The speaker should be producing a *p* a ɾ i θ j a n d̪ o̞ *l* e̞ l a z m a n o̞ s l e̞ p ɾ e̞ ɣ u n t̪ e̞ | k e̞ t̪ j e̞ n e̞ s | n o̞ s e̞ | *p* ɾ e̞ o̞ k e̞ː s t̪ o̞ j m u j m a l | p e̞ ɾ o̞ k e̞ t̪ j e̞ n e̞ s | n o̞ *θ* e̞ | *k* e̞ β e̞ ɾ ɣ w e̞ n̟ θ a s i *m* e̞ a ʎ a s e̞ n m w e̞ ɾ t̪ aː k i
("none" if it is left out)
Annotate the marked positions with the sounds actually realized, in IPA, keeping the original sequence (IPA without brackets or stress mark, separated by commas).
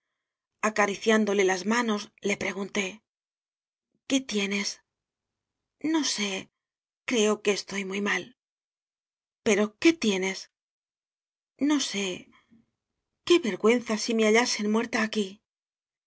k, l, k, s, k, m